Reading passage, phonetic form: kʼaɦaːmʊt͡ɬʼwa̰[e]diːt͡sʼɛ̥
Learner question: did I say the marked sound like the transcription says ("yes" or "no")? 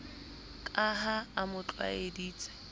yes